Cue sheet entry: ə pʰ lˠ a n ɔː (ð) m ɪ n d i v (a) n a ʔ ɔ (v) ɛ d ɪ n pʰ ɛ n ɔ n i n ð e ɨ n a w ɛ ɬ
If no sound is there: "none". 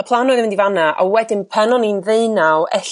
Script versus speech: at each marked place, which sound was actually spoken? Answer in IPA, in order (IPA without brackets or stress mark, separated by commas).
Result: ð, a, w